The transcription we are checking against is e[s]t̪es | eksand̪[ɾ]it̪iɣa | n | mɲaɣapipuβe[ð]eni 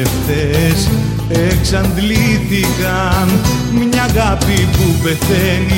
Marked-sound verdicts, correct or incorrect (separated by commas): incorrect, incorrect, incorrect